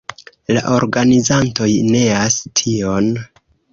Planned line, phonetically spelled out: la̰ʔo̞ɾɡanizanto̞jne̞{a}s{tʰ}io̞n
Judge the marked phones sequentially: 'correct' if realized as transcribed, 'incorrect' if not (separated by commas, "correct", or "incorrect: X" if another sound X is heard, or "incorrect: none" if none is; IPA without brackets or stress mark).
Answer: correct, correct